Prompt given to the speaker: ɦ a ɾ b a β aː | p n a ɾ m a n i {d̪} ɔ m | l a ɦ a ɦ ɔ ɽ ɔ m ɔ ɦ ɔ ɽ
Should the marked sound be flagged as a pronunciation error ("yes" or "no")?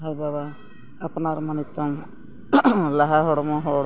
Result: yes